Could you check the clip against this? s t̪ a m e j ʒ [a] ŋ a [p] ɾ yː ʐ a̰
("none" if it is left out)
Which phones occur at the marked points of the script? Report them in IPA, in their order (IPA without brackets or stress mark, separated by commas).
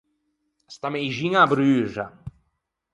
i, b